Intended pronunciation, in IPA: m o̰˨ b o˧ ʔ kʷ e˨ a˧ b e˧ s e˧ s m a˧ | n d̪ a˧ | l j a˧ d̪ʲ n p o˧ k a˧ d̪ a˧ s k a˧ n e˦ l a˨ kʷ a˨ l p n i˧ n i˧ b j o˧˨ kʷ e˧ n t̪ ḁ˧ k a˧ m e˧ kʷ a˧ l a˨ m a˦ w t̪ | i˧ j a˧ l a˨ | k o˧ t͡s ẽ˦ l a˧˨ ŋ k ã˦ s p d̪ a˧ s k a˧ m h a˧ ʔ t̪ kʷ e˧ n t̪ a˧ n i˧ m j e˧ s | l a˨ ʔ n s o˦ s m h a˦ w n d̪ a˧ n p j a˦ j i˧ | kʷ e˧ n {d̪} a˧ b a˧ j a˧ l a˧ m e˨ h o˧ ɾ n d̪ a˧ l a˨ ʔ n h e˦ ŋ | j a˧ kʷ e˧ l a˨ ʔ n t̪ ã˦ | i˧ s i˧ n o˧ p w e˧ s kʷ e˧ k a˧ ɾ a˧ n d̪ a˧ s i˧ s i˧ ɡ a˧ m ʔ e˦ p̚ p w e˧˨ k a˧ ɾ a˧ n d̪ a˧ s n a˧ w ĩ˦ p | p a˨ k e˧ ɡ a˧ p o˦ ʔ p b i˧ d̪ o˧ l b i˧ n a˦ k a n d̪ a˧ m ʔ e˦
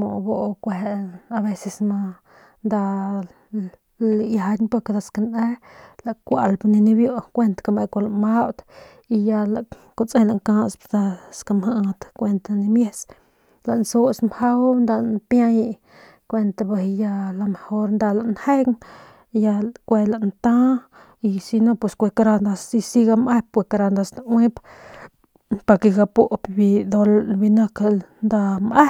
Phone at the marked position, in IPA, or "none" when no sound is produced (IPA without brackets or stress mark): t̪